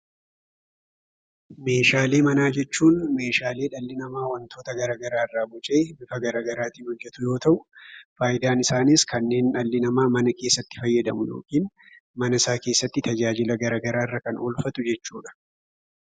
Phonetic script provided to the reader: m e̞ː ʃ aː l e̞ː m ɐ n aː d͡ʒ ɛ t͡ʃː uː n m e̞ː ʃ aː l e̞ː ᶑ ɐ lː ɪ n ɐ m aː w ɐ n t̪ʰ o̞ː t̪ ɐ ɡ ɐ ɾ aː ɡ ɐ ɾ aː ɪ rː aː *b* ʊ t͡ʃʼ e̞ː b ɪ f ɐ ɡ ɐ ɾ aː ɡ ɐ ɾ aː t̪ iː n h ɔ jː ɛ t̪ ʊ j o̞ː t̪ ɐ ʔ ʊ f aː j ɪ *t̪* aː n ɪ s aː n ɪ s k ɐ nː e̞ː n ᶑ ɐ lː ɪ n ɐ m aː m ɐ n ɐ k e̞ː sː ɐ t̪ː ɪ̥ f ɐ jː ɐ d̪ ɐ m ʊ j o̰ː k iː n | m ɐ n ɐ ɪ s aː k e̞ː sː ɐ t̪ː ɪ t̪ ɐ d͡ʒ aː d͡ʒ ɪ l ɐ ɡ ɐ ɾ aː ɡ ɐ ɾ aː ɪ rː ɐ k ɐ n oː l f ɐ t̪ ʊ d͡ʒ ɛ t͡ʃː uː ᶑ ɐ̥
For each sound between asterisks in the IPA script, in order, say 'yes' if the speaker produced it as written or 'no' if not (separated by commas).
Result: yes, no